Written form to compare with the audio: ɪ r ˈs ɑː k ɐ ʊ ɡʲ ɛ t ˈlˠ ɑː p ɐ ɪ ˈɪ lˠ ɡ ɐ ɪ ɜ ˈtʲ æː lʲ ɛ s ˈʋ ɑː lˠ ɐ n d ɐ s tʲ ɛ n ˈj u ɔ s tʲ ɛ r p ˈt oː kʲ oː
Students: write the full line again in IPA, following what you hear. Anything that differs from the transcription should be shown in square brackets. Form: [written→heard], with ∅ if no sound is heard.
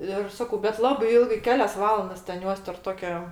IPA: ɪ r ˈs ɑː k ɐ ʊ [ɡʲ→bʲ] ɛ t ˈlˠ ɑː [p→b] ɐ ɪ ˈɪ lˠ ɡ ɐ ɪ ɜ [ˈtʲ→ˈkʲ] æː lʲ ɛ s ˈʋ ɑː lˠ ɐ n d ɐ s tʲ ɛ n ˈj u ɔ s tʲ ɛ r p ˈt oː kʲ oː